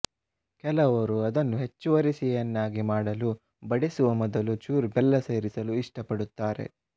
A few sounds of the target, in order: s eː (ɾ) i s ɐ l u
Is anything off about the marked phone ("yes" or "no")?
no